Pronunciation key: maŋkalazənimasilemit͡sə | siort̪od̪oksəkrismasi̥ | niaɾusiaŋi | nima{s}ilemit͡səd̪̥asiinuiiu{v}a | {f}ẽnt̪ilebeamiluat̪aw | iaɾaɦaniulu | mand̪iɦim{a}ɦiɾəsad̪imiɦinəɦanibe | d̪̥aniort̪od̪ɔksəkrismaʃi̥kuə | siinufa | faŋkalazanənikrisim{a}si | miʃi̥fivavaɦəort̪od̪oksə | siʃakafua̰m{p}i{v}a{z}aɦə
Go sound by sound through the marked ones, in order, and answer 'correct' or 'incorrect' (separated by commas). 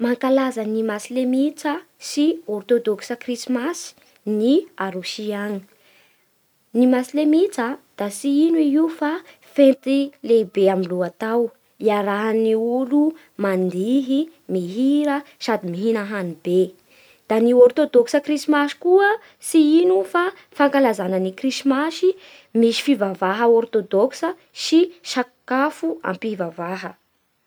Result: correct, incorrect, correct, incorrect, correct, correct, correct, incorrect